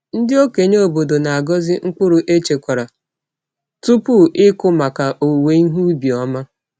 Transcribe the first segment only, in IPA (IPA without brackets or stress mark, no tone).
n̩